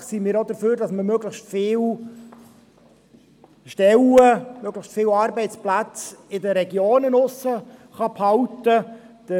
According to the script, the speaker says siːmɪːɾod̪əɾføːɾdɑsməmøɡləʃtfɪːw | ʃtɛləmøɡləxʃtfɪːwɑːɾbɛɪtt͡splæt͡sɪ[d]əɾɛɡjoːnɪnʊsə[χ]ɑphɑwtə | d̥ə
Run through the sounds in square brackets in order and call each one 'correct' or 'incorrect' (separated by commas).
correct, correct